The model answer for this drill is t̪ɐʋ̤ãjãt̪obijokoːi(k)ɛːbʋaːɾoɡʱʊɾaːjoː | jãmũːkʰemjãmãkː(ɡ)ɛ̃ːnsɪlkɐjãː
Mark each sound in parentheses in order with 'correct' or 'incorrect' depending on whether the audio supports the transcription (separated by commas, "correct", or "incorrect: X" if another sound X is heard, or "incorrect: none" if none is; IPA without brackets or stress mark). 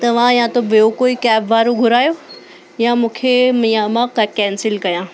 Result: correct, incorrect: k